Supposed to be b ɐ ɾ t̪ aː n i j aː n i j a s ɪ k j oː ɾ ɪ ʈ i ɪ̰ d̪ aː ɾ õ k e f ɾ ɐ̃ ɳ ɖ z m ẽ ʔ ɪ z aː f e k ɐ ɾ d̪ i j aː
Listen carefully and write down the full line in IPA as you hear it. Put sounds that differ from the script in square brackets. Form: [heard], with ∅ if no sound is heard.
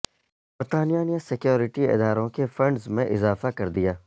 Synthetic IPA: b ɐ ɾ t̪ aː n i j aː n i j a s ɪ k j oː ɾ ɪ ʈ i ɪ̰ d̪ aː ɾ õ k e f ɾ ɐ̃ ɳ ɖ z m ẽ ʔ ɪ z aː f [a] k ɐ ɾ d̪ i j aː

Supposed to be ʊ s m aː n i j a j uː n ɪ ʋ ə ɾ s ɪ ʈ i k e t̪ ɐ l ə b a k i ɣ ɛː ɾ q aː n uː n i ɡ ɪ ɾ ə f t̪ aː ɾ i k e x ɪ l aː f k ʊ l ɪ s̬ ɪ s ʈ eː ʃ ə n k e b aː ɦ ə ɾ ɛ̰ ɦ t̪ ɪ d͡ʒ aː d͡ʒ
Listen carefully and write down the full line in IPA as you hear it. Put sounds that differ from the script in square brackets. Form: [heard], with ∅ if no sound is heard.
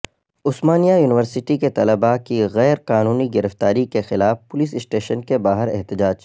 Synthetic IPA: ʊ s m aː n i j a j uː n ɪ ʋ ə ɾ s ɪ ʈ i k e t̪ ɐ l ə b a k i ɣ ɛː ɾ q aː n uː n i ɡ ɪ ɾ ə f t̪ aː ɾ i k e x ɪ l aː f [p] ʊ l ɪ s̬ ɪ s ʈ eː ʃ ə n k e b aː ɦ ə ɾ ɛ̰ ɦ t̪ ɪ d͡ʒ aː d͡ʒ

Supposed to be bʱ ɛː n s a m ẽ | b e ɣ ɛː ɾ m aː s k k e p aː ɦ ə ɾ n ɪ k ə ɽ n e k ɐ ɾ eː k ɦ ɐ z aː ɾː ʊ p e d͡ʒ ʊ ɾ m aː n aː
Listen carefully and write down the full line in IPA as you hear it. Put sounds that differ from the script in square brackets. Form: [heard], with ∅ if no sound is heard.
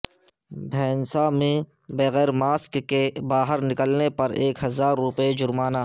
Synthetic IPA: bʱ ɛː n s a m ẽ | b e ɣ ɛː ɾ m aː s k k e [b] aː ɦ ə ɾ n ɪ k ə [l] n e [p] ɐ ɾ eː k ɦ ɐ z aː ɾː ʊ p e d͡ʒ ʊ ɾ m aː n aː

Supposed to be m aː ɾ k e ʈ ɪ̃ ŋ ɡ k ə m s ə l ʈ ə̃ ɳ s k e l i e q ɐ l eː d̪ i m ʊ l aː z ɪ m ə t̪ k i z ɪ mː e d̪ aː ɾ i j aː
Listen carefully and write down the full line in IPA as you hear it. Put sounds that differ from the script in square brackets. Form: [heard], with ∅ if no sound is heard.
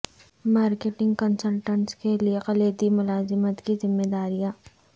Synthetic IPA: m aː ɾ k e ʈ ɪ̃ ŋ ɡ k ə [n] s ə l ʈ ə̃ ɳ s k e l i e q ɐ l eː d̪ i m ʊ l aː z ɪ m ə t̪ k i z ɪ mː e d̪ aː ɾ i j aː

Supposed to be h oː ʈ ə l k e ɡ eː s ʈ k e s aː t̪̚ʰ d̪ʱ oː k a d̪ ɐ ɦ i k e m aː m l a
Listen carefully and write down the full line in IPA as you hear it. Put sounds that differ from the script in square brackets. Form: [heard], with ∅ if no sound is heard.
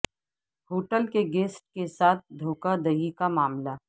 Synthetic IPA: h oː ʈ ə l k e ɡ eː s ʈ k e s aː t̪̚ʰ d̪ʱ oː k a d̪ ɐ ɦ i k [a] m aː m l a

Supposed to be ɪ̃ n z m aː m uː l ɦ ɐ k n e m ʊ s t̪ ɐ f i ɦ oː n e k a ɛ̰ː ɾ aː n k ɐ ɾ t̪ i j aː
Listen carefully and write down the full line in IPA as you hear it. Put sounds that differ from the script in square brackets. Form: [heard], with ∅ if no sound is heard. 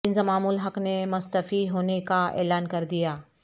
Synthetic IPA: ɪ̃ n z m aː m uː l ɦ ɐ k n e m ʊ s t̪ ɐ f i ɦ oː n e k a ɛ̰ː [l] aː n k ɐ ɾ [d̪] i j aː

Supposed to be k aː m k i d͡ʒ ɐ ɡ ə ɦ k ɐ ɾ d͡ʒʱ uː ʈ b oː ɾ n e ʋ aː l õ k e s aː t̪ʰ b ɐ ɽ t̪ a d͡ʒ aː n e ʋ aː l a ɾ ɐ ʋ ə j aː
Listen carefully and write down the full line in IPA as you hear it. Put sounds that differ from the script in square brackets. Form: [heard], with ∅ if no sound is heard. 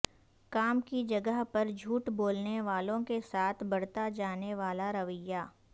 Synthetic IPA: k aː m k i d͡ʒ ɐ ɡ ə ɦ [p] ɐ ɾ d͡ʒʱ uː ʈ b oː [l] n e ʋ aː l õ k e s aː t̪ʰ b ɐ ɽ t̪ a d͡ʒ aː n e ʋ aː l a ɾ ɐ ʋ ə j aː

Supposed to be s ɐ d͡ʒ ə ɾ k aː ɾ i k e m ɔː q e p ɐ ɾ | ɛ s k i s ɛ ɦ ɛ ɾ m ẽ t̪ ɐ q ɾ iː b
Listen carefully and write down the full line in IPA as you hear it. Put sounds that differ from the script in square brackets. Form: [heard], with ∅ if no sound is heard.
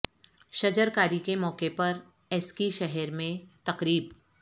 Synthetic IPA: [ʃ] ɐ d͡ʒ ə ɾ k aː ɾ i k e m ɔː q e p ɐ ɾ | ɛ s k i [ʃ] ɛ ɦ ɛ ɾ m ẽ t̪ ɐ q ɾ iː b

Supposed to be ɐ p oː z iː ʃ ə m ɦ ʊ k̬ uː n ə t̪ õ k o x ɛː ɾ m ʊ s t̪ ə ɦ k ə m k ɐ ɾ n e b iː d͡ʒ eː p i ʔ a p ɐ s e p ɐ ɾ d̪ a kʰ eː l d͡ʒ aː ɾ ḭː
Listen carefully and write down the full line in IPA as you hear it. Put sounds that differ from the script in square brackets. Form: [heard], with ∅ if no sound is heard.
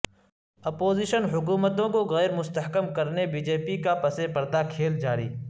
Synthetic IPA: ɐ p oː z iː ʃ ə [n] ɦ ʊ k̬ uː [m] ə t̪ õ k o [ɣ] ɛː ɾ m ʊ s t̪ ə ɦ k ə m k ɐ ɾ n e b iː d͡ʒ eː p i [k] a p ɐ s e p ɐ ɾ d̪ a kʰ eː l d͡ʒ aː ɾ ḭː

